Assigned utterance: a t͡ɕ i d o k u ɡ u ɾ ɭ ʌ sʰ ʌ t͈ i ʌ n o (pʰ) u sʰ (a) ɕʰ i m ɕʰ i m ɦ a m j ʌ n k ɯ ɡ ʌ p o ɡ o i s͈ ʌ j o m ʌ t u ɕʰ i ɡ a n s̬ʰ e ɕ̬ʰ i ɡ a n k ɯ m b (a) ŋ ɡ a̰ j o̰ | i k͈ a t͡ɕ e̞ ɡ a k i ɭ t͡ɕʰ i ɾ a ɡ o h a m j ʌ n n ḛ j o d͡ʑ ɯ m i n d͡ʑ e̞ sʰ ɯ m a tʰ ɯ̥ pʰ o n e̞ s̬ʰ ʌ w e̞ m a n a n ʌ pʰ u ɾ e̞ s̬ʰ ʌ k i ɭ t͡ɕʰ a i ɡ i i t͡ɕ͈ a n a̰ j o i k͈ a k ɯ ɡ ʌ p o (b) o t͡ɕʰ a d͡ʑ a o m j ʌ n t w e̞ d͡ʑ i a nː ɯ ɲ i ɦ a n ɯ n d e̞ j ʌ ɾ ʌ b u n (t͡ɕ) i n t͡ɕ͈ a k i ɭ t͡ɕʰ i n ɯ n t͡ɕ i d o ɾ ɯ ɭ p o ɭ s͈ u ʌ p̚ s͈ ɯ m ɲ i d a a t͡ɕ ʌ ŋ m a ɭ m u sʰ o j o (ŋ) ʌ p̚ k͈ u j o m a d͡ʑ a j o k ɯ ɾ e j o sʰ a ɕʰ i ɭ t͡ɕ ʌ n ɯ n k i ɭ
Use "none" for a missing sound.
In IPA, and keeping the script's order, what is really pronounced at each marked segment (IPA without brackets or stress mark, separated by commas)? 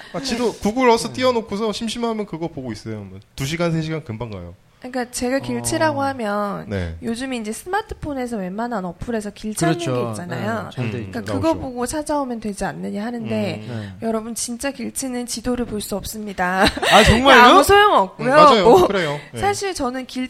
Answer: kʰ, ʌ, a, ɡ, t͡ɕ, ŋ